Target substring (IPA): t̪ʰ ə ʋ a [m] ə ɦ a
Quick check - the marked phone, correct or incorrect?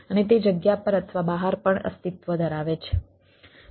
incorrect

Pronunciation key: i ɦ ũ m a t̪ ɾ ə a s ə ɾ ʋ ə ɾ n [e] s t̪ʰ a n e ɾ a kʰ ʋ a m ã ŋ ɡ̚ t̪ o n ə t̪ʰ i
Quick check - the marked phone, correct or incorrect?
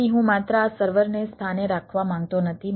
correct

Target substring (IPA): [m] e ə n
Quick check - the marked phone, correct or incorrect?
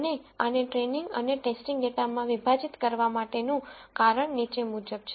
incorrect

